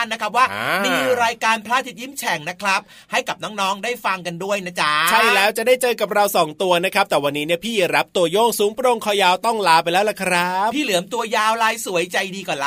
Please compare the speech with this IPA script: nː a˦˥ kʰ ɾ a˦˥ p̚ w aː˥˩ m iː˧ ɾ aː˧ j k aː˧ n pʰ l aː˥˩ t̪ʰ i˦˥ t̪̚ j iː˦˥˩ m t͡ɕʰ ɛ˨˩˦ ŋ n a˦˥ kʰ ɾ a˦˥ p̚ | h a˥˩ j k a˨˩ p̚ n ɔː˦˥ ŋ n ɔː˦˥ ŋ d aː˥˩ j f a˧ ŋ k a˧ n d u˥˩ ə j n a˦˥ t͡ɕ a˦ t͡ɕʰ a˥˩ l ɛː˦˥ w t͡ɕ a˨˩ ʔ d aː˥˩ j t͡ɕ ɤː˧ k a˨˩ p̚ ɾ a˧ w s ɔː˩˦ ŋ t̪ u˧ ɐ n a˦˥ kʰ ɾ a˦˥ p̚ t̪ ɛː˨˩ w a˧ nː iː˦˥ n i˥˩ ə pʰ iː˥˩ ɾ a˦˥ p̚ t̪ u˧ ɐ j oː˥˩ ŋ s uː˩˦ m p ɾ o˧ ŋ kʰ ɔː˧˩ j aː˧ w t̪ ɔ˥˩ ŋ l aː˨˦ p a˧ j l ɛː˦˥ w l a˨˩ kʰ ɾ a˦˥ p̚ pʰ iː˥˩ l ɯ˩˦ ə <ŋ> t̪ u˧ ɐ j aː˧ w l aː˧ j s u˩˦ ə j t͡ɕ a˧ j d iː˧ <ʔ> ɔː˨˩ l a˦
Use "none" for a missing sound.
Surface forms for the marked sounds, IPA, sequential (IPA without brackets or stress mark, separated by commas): m, k